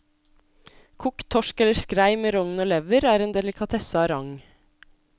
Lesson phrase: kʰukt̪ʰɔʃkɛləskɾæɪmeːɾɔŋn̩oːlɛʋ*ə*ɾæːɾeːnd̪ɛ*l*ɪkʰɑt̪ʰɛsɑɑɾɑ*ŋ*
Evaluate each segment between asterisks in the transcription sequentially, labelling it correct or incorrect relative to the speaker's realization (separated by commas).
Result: correct, correct, correct